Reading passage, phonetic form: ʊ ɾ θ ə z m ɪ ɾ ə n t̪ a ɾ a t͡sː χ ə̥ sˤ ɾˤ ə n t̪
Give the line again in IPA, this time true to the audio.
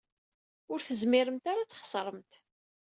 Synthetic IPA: ʊ ɾ θ ə z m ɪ ɾ ə m t̪ a ɾ a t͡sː χ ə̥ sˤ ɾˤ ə m t̪